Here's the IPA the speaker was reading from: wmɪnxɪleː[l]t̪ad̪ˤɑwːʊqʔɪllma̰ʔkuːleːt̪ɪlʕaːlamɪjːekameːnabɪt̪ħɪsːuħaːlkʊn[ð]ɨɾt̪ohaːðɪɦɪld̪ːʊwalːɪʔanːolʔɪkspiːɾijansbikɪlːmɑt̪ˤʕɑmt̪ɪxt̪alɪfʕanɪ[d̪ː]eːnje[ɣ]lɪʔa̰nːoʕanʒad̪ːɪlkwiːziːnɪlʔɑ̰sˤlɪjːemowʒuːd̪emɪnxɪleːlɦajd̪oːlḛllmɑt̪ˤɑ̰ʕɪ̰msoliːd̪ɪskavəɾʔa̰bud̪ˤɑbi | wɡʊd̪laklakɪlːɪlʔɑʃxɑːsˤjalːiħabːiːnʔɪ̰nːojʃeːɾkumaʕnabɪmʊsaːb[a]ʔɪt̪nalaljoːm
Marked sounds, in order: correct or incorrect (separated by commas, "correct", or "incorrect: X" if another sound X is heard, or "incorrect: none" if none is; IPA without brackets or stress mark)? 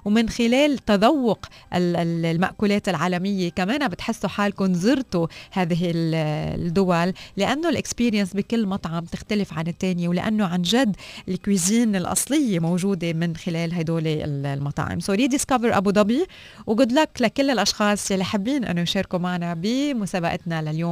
correct, incorrect: z, incorrect: t̪ː, incorrect: w, correct